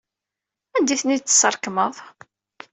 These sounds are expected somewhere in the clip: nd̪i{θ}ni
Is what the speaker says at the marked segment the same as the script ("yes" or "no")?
yes